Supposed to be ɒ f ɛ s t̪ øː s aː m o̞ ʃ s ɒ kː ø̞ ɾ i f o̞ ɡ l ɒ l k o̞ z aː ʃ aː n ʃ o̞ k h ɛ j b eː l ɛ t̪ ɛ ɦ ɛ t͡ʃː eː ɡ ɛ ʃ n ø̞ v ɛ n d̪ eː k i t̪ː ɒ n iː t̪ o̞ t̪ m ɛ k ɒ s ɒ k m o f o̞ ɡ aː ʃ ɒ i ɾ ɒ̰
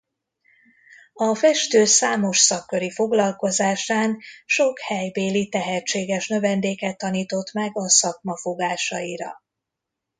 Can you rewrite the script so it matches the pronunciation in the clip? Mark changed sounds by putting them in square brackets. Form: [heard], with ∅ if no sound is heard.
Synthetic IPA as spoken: ɒ f ɛ [ʃ] t̪ øː s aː m o̞ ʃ s ɒ kː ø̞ ɾ i f o̞ ɡ l ɒ l k o̞ z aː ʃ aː n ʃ o̞ k h ɛ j b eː l [i] t̪ ɛ ɦ ɛ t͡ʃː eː ɡ ɛ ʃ n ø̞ v ɛ n d̪ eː k [ɛ] t̪ː ɒ n iː t̪ o̞ t̪ m ɛ [ɡ] ɒ s ɒ k m [ɒ] f o̞ ɡ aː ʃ ɒ i ɾ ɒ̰